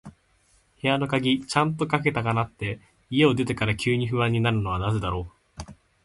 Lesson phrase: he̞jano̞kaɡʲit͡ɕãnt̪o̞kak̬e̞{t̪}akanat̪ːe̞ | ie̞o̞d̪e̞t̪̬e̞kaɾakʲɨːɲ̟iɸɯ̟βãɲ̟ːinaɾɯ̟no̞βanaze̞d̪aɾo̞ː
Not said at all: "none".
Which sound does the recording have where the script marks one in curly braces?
t̪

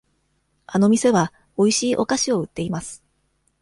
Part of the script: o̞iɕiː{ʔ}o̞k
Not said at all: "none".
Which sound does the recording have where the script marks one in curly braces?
ʔ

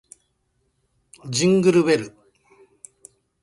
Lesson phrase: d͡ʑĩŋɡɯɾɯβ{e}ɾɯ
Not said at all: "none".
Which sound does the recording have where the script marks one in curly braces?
e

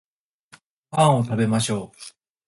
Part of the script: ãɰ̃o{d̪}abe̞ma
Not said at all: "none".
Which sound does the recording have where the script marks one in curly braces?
t̪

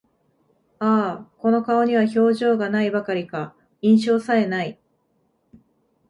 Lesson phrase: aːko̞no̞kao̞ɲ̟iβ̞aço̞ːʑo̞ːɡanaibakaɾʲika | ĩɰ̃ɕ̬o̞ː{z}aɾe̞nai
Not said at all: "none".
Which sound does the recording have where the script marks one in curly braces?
s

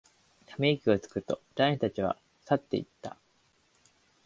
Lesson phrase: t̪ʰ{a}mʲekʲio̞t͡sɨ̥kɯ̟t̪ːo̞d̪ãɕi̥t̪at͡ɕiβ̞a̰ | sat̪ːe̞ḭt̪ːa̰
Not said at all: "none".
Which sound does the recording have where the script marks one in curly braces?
a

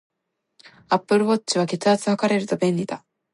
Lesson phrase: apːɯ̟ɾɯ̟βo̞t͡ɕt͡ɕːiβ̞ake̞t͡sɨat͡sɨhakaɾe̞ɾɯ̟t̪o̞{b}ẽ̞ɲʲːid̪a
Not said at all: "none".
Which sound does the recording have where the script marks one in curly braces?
b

